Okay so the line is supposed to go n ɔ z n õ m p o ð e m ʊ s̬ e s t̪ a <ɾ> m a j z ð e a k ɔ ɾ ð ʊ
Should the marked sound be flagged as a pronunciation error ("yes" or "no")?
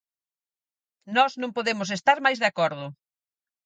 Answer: no